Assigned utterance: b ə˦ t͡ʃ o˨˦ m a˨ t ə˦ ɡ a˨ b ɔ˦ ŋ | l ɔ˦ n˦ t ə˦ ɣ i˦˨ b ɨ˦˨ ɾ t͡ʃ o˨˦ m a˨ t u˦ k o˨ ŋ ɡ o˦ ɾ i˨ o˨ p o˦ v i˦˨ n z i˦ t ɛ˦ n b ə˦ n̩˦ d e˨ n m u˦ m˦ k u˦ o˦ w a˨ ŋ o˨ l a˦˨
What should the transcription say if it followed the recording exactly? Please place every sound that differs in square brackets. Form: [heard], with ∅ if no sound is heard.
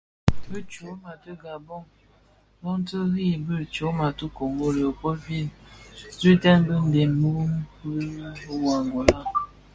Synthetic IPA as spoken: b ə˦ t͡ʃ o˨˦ m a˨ t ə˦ ɡ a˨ b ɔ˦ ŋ | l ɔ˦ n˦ t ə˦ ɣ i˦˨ b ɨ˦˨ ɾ t͡ʃ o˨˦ m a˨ t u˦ k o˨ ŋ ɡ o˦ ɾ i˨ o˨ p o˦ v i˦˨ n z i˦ t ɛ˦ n b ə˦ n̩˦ d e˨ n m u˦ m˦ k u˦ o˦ w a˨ ŋ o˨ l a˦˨